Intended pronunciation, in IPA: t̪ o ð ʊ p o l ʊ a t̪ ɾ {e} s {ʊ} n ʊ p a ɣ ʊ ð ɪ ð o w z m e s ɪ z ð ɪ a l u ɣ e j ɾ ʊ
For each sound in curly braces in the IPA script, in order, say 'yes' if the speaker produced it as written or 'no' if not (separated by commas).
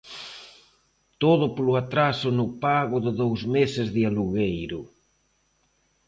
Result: no, yes